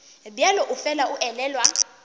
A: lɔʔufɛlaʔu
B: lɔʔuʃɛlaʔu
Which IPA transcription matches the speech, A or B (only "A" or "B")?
A